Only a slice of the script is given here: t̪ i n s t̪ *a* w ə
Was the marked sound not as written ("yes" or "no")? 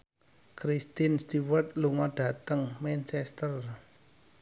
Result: yes